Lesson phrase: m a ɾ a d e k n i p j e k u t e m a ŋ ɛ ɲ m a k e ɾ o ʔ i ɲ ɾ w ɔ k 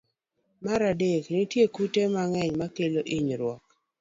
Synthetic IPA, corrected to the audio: m a ɾ a d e k n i t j e k u t e m a ŋ ɛ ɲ m a k e l o ʔ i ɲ ɾ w ɔ k